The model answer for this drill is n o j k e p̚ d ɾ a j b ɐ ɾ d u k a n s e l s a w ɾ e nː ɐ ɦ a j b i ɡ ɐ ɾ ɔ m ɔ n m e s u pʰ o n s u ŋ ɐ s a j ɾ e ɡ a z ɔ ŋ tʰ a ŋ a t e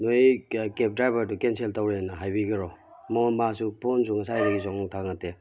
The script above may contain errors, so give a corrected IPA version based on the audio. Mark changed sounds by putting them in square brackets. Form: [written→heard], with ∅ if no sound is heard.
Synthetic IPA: n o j k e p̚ d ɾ a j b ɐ ɾ d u k [a→e] n s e l [s→t] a w ɾ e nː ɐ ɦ a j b i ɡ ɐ ɾ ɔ m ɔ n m [e→a] s u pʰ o n s u ŋ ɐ s a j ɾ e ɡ [a→i] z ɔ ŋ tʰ a ŋ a t e